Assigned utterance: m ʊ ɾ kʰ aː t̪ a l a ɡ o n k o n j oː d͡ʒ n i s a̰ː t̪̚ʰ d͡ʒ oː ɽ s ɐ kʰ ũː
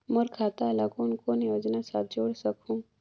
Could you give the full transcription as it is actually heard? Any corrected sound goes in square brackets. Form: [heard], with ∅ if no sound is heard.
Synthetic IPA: m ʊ ɾ kʰ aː t̪ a l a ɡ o n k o n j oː d͡ʒ n [a] s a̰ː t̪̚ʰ d͡ʒ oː ɽ s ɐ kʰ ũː